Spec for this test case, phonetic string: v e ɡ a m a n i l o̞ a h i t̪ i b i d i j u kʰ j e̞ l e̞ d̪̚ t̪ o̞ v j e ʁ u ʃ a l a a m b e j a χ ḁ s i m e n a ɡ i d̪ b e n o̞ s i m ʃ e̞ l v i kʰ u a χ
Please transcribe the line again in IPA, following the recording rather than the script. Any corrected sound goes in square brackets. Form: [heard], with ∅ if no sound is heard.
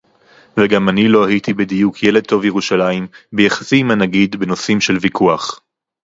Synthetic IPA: v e ɡ a m a n i l o̞ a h i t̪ i b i d i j u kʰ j e̞ l e̞ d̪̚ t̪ o̞ v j e ʁ u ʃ a l a [i] m b e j a χ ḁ s i m [a] n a ɡ i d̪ b e n o̞ s i m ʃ e̞ l v i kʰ u a χ